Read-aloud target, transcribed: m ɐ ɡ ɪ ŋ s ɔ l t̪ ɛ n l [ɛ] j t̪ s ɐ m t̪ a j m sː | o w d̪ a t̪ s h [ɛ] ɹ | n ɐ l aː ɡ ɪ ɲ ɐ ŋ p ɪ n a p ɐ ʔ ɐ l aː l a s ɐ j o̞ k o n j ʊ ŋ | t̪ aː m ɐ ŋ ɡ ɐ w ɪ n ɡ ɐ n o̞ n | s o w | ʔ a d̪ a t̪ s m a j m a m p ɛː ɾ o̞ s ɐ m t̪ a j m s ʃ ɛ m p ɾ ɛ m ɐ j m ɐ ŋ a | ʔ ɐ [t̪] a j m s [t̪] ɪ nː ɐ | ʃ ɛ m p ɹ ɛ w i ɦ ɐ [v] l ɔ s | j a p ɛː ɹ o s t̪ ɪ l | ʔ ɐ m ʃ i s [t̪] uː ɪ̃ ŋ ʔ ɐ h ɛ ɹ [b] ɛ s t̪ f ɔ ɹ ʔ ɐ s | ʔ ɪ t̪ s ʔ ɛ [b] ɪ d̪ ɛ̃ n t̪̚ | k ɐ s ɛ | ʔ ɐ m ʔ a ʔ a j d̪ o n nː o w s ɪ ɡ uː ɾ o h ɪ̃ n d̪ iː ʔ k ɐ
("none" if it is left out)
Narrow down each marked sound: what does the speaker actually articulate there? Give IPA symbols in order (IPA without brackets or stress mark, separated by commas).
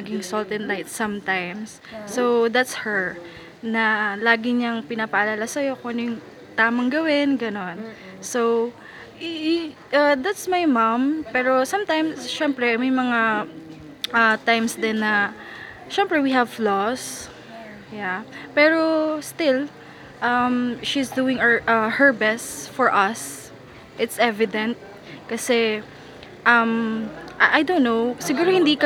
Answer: a, ɛ, t̪, d̪, v, d̪, b, v